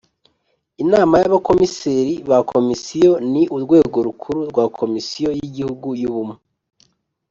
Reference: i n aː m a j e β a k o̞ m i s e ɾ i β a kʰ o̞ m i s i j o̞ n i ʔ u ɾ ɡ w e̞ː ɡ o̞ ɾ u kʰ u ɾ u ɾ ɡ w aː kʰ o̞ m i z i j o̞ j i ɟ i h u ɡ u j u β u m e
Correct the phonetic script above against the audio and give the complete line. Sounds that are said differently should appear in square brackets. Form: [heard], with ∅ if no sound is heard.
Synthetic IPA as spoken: i n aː m a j [a] β a k o̞ m i s e ɾ i β a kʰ o̞ m i s i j o̞ n i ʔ u ɾ ɡ w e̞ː ɡ o̞ ɾ u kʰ u ɾ u ɾ ɡ w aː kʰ o̞ m i [s] i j o̞ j i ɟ i h u ɡ u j u β u m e